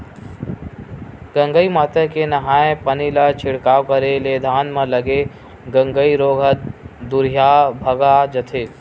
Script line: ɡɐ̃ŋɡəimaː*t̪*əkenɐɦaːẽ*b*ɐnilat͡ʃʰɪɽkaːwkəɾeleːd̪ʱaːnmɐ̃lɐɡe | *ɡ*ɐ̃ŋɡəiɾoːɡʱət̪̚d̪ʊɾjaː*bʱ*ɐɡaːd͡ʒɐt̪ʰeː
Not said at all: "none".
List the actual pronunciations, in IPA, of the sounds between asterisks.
t̪, p, ɡ, bʱ

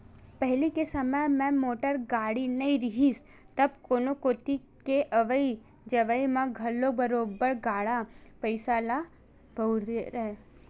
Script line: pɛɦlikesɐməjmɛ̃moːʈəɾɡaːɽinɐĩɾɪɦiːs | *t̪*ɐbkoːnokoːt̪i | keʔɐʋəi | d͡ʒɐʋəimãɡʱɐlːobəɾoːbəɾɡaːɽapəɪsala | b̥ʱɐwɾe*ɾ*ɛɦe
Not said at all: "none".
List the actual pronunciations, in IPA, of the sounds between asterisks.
t̪, ɾ

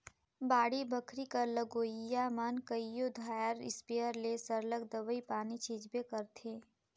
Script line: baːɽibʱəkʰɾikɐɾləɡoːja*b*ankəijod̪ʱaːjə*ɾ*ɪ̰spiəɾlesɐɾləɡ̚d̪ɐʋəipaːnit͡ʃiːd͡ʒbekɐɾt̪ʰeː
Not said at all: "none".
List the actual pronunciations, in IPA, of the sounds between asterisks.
m, ɾ

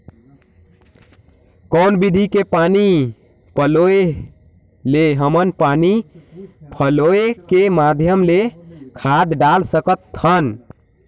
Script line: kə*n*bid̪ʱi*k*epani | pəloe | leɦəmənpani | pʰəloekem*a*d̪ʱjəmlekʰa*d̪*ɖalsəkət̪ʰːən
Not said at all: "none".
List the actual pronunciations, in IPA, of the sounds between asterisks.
n, k, a, d̪

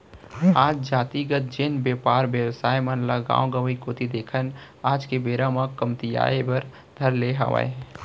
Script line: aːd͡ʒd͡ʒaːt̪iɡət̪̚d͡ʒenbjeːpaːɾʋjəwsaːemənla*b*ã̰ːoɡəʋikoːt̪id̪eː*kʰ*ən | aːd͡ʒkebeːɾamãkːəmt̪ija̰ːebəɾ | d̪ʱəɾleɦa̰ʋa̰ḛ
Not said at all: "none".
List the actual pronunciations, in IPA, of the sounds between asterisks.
ɡ, kʰ

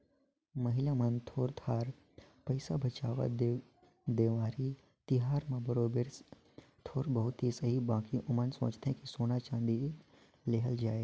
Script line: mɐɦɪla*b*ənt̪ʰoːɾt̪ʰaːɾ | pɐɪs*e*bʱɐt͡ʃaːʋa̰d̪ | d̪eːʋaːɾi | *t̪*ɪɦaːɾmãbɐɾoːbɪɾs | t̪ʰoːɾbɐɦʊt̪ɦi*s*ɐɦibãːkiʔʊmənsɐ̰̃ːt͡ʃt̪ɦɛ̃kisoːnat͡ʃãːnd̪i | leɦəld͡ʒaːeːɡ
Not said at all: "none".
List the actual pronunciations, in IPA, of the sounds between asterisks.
m, a, t̪, s

